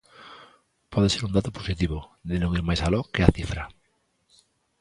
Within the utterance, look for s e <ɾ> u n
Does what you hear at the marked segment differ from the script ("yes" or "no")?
no